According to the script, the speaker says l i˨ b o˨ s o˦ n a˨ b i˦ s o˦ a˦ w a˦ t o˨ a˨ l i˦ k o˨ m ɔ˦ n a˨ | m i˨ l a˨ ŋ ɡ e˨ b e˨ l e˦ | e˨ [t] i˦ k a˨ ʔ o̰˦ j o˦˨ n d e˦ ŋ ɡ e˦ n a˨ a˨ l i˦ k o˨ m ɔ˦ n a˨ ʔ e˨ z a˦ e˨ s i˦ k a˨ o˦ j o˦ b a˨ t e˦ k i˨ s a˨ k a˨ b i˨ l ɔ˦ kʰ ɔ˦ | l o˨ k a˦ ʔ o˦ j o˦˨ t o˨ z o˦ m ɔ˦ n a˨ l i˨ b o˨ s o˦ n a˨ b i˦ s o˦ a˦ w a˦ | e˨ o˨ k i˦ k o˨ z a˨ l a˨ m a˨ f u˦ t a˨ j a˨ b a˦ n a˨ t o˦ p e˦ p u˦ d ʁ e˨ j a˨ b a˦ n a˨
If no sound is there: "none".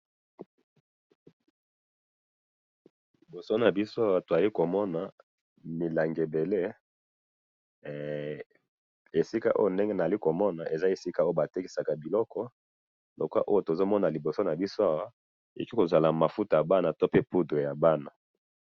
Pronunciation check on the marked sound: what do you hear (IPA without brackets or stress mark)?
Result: s